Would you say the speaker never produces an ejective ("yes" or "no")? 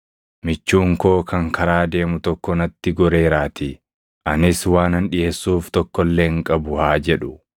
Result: no